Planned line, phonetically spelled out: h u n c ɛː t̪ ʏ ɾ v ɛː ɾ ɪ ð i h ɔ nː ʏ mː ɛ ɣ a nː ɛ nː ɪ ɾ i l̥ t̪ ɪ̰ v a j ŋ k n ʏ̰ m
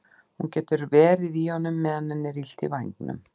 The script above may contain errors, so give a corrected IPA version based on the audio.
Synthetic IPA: h u n c ɛː t̪ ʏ ɾ v ɛː ɾ ɪ ð i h ɔ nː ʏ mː ɛ ð a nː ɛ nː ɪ ɾ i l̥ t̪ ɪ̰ v a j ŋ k n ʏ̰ m

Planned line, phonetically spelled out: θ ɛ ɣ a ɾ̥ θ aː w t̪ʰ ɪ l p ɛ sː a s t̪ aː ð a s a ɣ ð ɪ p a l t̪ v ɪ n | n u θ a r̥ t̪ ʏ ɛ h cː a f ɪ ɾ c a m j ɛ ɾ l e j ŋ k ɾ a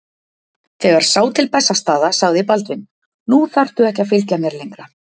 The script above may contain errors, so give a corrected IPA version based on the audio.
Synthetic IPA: θ ɛ ɣ a ɾ̥ s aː w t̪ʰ ɪ l p ɛ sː a s t̪ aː ð a s a ɣ ð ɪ p a l t̪ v ɪ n | n u θ a r̥ t̪ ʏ ɛ h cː a f ɪ l c a m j ɛ ɾ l e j ŋ k ɾ a

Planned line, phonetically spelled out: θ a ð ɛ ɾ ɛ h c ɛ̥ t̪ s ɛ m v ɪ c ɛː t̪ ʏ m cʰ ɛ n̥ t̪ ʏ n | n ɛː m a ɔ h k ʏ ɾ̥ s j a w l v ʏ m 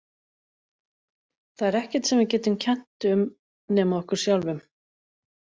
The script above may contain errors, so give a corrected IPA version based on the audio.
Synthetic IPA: θ a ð ɛ ɾ ɛ h c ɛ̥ t̪ s ɛ m v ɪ c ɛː t̪ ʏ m cʰ ɛ n̥ t̪ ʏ m | n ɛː m a ɔ h k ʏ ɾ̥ s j a w l v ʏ m

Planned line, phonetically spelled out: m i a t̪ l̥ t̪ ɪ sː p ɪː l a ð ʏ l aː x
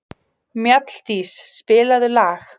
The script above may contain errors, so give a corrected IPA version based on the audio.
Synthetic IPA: m j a t̪ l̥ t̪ i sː p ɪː l a ð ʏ l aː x

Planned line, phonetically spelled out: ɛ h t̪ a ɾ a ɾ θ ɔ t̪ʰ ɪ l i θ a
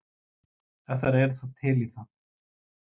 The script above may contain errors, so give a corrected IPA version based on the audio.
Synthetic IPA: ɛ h t̪ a ɾ ɛ ɾ θ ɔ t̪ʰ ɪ l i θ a

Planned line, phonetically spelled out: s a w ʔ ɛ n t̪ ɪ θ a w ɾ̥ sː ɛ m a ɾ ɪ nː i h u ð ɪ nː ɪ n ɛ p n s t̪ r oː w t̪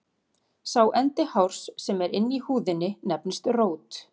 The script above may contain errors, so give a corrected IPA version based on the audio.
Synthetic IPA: s a w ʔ ɛ n t̪ ɪ h a w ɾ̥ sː ɛ m ɛ ɾ ɪ nː i h uː ð ɪ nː ɪ n ɛ p n s t̪ r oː w t̪

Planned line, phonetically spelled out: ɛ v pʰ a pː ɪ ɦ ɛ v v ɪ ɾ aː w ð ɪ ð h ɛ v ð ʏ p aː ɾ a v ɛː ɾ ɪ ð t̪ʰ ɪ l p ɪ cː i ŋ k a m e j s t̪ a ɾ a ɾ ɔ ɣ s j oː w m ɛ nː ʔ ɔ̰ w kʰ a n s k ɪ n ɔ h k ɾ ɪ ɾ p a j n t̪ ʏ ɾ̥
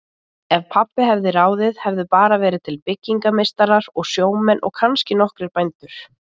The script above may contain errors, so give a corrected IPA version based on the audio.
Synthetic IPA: ɛ v pʰ a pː ɪ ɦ ɛ v ð ɪ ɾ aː w ð ɪ ð h ɛ v ð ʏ p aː ɾ a v ɛː ɾ ɪ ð t̪ʰ ɪ l p ɪ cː i ŋ k a m e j s t̪ a ɾ a ɾ ɔ ɣ s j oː w m ɛ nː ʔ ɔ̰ ɣ kʰ a n s c ɪ n ɔ h k ɾ ɪ ɾ p a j n t̪ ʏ ɾ̥

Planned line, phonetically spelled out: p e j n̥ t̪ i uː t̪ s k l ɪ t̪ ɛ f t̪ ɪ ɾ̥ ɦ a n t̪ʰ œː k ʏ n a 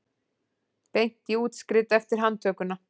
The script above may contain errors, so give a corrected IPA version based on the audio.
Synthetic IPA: p e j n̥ t̪ i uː t̪ s k ɾ ɪ t̪ ɛ f t̪ ɪ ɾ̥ ɦ a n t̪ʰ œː k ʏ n a

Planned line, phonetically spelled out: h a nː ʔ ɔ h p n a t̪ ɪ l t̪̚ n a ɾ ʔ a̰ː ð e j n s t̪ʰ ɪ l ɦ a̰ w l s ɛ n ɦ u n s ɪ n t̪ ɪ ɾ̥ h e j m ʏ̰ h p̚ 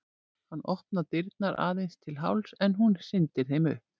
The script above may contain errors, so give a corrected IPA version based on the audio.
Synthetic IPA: h a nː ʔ ɔ h p n a t̪ ɪ ɾ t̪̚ n a ɾ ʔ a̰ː ð e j n s t̪ʰ ɪ l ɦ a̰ w l s ɛ n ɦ u n s ɪ n t̪ ɪ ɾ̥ θ e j m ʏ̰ h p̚

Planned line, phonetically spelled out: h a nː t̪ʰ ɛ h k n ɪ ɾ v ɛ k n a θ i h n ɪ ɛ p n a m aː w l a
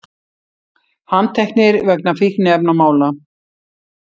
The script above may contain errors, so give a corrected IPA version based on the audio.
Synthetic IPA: h a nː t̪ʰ ɛ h k n ɪ ɾ v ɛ k n a f i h n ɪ ɛ p n a m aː w l a

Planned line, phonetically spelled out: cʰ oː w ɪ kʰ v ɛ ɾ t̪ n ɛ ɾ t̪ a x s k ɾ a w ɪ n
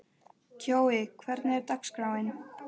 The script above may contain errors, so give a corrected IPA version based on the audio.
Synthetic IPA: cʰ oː w ɪ kʰ v ɛ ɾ t̪ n ɛ ɾ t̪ a k s k ɾ a w ɪ n

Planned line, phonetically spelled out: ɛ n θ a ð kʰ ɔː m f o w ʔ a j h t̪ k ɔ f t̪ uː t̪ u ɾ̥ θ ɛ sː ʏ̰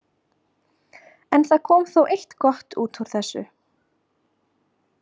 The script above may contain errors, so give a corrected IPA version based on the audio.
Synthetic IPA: ɛ n θ a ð kʰ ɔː m θ o w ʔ e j h t̪ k ɔ h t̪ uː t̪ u ɾ̥ θ ɛ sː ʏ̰

